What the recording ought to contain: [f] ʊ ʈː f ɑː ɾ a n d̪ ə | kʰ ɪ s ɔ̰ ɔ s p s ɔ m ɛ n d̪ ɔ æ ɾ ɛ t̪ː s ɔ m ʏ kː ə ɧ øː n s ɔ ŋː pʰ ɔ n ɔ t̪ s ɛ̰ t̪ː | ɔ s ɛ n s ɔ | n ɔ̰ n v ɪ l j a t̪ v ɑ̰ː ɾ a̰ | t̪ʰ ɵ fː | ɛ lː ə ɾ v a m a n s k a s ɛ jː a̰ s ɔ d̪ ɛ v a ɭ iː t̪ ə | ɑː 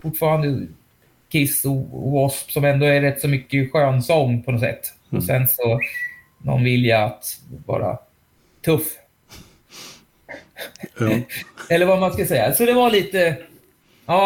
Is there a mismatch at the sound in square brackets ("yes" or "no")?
no